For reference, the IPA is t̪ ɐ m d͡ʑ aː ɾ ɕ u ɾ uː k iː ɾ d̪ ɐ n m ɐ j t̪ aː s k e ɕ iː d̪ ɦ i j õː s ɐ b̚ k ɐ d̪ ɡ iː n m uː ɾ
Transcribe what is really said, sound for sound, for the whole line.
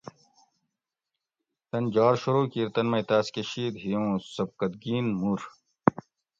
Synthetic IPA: t̪ ɐ n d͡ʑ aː ɾ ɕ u ɾ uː k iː ɾ t̪ ɐ n m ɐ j t̪ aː s k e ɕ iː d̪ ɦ i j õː s ɐ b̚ k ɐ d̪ ɡ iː n m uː ɾ